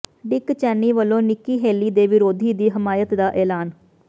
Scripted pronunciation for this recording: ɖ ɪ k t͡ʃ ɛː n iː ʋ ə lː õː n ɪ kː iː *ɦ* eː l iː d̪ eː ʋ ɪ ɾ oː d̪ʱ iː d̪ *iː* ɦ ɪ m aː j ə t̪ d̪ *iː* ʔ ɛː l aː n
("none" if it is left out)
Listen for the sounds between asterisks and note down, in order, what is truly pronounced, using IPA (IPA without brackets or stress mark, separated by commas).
ɦ, iː, aː